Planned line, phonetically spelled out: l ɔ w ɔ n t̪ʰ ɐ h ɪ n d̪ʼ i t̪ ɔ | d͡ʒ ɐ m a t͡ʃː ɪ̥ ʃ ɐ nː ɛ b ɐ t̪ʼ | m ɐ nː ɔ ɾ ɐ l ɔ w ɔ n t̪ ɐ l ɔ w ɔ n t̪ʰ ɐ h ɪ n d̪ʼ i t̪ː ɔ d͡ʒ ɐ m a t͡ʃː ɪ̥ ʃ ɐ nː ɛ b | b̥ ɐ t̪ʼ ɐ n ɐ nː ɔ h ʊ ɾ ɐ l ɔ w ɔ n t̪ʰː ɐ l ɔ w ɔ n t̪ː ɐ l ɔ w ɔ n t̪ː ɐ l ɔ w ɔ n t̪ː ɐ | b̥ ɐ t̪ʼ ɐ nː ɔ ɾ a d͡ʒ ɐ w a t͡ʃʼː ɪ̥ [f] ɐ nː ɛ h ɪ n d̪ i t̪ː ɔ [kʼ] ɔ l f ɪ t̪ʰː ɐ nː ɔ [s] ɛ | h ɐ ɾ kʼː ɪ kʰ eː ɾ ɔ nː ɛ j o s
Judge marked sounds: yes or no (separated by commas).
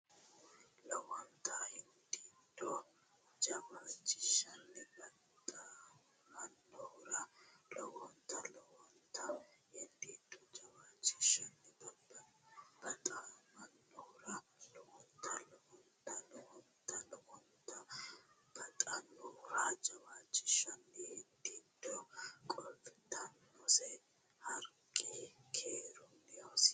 no, yes, yes